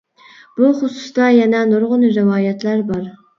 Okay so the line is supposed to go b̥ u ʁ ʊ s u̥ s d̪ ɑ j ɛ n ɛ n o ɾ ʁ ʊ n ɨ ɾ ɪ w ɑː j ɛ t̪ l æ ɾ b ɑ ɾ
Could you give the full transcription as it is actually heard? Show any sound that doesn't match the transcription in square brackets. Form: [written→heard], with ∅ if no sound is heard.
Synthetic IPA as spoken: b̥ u [ʁ→χ] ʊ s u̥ s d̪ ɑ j ɛ n ɛ n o ɾ ʁ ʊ n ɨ ɾ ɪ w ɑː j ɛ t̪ l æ ɾ b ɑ ɾ